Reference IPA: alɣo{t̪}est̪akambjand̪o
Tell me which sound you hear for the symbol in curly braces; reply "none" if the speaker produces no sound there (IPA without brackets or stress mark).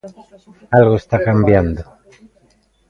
none